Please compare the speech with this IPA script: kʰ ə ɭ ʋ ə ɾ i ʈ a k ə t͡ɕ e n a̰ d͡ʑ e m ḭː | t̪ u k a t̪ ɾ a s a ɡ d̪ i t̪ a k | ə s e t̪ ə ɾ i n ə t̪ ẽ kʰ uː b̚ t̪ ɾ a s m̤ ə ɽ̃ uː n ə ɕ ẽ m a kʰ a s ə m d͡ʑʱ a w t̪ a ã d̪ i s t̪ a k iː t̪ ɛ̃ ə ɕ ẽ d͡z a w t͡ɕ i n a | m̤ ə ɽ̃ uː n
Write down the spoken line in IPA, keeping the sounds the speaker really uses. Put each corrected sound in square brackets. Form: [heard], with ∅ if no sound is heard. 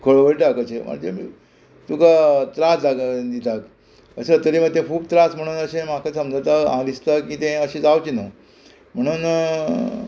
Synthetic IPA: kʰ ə ɭ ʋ ə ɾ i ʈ a k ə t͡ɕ e [m] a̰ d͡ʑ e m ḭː | t̪ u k a t̪ ɾ a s a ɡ d̪ i t̪ a k | ə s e t̪ ə ɾ i [m] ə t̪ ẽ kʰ uː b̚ t̪ ɾ a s m̤ ə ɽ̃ uː n ə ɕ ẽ m a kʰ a s ə m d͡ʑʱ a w t̪ a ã d̪ i s t̪ a k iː t̪ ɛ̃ ə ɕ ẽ d͡z a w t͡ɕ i n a | m̤ ə ɽ̃ uː n